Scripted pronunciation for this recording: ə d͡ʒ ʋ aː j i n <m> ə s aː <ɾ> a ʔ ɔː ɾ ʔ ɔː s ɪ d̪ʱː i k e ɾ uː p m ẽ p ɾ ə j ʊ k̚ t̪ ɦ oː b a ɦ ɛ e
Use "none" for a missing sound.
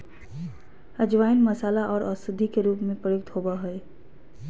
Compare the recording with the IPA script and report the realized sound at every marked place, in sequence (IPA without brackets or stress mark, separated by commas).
m, l